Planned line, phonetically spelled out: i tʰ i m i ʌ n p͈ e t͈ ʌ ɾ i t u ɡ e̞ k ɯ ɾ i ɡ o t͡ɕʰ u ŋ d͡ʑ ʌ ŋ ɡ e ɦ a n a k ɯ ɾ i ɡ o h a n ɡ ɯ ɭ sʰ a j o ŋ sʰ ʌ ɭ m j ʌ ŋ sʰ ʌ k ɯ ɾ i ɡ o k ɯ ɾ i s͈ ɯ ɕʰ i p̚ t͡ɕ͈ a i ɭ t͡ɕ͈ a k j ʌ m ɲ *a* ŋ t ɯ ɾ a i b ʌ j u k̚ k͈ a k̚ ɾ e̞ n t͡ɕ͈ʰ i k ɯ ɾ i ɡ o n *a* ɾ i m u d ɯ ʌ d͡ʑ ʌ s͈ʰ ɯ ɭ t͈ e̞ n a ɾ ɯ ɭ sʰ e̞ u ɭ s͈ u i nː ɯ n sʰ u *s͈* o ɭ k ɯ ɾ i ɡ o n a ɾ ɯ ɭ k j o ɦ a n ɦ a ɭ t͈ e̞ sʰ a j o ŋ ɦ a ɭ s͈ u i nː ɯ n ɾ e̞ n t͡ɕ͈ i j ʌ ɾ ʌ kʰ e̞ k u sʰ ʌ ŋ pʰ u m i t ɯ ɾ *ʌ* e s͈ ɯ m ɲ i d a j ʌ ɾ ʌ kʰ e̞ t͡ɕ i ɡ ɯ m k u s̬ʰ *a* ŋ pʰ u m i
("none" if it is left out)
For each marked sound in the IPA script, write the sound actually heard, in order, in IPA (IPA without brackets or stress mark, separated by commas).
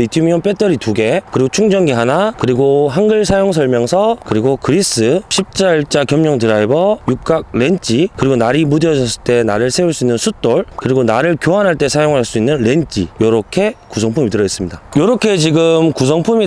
ʌ, a, t͈, ʌ, ʌ